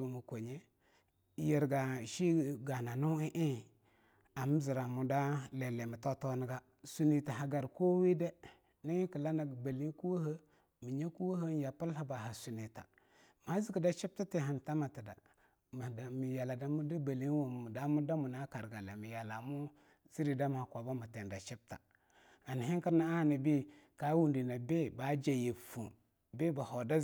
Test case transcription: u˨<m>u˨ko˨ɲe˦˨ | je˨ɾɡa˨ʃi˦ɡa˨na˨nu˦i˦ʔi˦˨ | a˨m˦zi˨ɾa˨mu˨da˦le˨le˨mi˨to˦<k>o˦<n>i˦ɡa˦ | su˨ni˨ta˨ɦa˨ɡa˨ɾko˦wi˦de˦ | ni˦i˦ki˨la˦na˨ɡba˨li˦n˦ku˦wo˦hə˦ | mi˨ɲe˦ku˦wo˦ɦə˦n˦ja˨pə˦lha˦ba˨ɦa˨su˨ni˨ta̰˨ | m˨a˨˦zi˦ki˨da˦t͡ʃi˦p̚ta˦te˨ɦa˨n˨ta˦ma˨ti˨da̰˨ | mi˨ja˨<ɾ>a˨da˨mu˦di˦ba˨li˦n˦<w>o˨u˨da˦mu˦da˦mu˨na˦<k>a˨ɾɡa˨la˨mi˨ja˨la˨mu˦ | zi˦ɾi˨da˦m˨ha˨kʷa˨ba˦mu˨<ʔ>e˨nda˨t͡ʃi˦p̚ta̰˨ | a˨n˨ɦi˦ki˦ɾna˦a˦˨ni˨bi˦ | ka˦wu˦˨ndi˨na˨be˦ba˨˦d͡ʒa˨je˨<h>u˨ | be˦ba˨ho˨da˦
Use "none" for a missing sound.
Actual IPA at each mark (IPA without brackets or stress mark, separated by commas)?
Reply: m, t, n, l, w, k, t, f